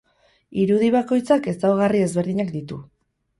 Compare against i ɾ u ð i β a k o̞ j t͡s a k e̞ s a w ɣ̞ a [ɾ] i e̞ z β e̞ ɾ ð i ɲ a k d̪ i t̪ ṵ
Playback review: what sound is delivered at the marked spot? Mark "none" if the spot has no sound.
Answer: r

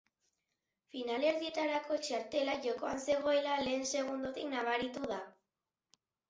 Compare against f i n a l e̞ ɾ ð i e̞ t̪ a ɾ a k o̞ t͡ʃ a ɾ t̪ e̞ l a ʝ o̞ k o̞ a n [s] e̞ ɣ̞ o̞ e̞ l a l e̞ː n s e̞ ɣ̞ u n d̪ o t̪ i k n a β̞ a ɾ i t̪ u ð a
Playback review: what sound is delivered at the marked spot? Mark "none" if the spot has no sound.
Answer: s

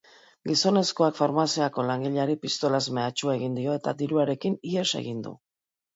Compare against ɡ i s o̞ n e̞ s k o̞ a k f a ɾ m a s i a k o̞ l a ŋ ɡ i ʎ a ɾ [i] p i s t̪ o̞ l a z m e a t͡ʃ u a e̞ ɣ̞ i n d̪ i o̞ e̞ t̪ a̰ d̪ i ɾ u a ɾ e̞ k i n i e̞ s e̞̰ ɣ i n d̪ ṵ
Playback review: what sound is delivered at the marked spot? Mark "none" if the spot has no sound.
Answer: i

